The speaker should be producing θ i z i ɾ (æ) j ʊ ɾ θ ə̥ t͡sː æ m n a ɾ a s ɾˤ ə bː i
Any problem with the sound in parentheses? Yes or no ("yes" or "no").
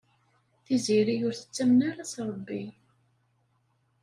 yes